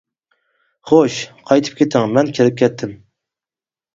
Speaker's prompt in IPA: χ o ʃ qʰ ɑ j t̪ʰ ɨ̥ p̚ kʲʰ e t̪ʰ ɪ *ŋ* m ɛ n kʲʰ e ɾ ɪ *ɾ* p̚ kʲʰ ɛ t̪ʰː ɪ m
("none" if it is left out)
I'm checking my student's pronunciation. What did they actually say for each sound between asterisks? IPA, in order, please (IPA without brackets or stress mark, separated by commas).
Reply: ŋ, none